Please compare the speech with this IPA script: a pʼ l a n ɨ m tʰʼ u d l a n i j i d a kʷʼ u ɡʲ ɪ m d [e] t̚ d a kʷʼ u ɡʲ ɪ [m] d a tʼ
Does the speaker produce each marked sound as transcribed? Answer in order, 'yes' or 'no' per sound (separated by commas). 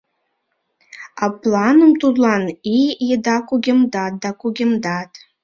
no, yes